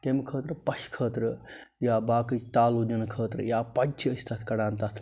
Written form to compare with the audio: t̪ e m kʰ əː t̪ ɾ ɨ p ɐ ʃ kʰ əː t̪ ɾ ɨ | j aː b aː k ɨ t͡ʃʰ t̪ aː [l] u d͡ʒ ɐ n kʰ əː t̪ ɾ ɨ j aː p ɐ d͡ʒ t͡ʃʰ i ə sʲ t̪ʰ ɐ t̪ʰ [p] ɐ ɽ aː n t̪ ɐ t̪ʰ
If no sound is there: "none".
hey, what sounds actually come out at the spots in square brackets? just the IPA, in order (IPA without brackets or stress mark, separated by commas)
l, k